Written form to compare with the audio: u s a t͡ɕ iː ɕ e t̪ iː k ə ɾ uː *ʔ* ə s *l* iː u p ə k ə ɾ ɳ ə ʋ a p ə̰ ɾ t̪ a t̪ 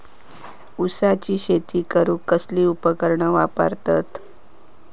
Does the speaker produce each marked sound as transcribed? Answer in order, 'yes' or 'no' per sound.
no, yes

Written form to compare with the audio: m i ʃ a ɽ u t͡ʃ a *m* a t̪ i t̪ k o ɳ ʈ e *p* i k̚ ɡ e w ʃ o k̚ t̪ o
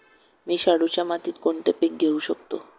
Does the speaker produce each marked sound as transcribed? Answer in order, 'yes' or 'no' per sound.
yes, yes

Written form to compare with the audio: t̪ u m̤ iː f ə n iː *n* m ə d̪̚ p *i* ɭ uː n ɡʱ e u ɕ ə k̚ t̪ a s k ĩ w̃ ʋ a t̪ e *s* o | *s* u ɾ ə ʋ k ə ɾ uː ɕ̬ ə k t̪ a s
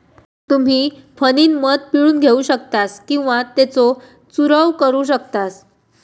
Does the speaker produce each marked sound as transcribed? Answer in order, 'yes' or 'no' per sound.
yes, yes, no, no

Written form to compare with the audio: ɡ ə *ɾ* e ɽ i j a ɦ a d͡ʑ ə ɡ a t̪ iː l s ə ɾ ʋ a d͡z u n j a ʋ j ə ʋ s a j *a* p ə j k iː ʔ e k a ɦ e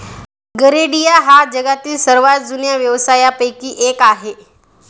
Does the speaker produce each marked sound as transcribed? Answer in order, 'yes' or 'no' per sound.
yes, yes

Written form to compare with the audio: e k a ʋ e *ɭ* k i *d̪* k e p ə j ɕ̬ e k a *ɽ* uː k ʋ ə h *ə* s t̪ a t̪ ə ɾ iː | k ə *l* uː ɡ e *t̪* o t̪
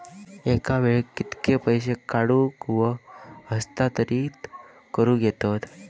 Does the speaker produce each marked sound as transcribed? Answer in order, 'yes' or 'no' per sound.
yes, no, yes, yes, no, yes

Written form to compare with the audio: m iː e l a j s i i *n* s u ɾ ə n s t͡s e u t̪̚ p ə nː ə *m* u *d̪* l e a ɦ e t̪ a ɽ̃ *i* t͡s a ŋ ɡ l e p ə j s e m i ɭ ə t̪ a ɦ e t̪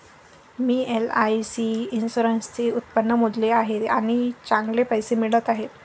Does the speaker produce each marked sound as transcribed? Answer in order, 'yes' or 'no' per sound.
yes, yes, yes, yes

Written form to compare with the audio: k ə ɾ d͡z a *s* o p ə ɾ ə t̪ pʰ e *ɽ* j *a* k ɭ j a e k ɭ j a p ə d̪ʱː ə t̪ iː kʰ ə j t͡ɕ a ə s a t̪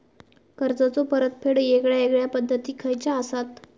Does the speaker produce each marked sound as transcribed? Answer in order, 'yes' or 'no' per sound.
no, yes, no

